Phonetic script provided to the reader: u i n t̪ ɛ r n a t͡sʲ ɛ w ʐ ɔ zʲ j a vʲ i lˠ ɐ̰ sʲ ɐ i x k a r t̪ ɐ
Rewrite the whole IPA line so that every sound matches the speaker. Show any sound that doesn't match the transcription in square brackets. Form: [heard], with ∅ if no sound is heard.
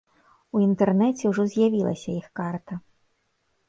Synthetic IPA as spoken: u i n t̪ ɛ r n [ɛ] t͡sʲ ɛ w ʐ ɔ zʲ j a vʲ i lˠ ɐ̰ sʲ ɐ i x k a r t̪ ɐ